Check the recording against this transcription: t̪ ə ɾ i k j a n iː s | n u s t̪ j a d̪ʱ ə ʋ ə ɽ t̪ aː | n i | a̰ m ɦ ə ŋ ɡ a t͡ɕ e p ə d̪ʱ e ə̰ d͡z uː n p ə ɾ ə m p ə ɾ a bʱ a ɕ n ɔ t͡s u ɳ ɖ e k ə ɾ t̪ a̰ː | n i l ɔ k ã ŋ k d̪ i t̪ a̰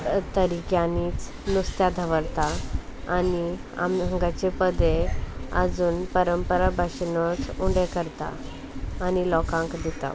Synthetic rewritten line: t̪ ə ɾ i k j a n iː t͡s | n u s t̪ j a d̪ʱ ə ʋ ə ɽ t̪ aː | n i | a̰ m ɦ ə ŋ ɡ a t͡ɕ e p ə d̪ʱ e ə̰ d͡z uː n p ə ɾ ə m p ə ɾ a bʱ a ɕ n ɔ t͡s u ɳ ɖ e k ə ɾ t̪ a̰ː | n i l ɔ k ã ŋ k d̪ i t̪ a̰